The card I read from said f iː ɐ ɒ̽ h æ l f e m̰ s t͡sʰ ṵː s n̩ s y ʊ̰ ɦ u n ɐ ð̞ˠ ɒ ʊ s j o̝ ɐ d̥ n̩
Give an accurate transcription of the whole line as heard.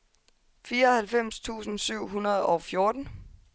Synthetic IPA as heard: f iː ɐ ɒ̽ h æ l f e m̰ s t͡sʰ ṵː s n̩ s y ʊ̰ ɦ u n ɐ ð̞ˠ ɒ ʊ f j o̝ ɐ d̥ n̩

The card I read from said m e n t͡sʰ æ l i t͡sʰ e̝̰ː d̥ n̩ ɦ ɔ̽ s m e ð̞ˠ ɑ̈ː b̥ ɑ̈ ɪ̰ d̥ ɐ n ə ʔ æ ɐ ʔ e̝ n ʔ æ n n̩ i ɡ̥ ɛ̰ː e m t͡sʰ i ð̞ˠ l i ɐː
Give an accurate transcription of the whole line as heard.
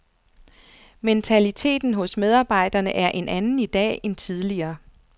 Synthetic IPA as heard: m e n t͡sʰ æ l i t͡sʰ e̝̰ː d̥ n̩ ɦ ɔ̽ s m e ð̞ˠ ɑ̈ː b̥ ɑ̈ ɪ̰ d̥ ɐ n ə ʔ æ ɐ ʔ e̝ n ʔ æ n n̩ i d̥ ɛ̰ː e n t͡sʰ i ð̞ˠ l i ɐː

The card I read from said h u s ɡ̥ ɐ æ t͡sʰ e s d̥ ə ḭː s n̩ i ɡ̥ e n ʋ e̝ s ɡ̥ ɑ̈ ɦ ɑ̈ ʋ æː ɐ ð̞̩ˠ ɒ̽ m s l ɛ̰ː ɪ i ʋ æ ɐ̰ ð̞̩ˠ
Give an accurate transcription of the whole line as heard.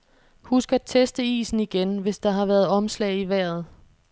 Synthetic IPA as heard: h u s ɡ̥ ɐ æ t͡sʰ e s d̥ ə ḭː s n̩ i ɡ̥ e n ʋ e̝ s d̥ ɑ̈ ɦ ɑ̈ ʋ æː ɐ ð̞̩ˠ ɒ̽ m s l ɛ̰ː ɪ i ʋ æ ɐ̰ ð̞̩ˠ

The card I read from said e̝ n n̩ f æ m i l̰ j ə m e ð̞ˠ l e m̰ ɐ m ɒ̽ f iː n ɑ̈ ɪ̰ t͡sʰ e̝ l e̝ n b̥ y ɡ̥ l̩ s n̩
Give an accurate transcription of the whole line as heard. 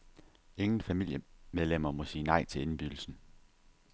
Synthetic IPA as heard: e̝ ŋ n̩ f æ m i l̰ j ə m e ð̞ˠ l e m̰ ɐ m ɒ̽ s iː n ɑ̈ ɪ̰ t͡sʰ e̝ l e̝ n b̥ y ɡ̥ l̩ s n̩

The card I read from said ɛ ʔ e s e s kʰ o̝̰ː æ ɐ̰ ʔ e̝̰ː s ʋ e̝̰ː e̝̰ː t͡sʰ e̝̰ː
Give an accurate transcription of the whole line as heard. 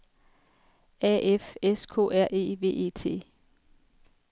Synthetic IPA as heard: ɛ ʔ e f e s kʰ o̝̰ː æ ɐ̰ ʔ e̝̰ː ʋ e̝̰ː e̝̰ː t͡sʰ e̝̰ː

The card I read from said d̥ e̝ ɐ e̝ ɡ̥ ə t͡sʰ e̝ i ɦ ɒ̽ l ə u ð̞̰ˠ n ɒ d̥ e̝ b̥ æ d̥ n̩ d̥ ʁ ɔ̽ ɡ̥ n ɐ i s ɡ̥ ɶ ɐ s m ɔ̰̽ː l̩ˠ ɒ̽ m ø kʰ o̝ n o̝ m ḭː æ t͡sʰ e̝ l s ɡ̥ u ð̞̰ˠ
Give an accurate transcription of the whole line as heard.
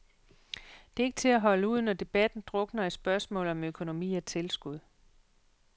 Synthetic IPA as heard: d̥ e̝ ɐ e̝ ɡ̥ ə t͡sʰ e̝ æ ɦ ɒ̽ l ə u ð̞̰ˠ n ɒ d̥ e̝ b̥ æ d̥ n̩ d̥ ʁ ɔ̽ ɡ̥ n ɐ i s b̥ ɶ ɐ s m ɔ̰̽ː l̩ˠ ɒ̽ m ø kʰ o̝ n o̝ m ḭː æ t͡sʰ e̝ l s ɡ̥ u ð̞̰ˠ

